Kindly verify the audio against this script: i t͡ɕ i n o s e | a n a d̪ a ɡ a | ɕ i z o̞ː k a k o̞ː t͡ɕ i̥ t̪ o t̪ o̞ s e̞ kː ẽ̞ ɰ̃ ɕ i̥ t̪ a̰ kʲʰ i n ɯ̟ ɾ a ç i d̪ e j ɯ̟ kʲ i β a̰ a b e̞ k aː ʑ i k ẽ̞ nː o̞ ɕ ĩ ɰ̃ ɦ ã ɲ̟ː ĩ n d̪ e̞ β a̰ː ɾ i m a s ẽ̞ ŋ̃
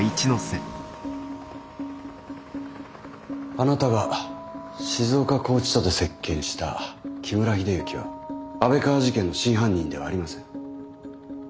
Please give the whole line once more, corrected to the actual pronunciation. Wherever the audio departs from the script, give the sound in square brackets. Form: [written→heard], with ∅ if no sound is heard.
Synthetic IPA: i t͡ɕ i n o s e | a n a [d̪→t̪] a ɡ a | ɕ i z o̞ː k a k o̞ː t͡ɕ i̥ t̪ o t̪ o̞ s e̞ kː ẽ̞ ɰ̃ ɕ i̥ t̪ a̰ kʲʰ i [n→m] ɯ̟ ɾ a ç i d̪ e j ɯ̟ kʲ i β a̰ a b e̞ k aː ʑ i k ẽ̞ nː o̞ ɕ ĩ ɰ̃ ɦ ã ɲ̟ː ĩ n d̪ e̞ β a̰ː ɾ i m a s ẽ̞ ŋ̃